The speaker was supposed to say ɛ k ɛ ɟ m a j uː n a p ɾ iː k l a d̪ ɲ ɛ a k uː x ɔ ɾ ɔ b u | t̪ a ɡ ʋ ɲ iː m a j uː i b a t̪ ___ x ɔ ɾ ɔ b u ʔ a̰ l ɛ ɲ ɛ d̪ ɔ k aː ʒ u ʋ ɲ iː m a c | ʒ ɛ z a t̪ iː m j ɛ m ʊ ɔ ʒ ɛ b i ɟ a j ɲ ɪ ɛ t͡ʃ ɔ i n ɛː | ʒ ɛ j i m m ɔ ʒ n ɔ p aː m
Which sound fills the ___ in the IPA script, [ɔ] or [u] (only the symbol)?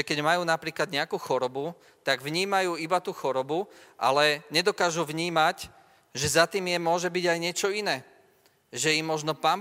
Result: u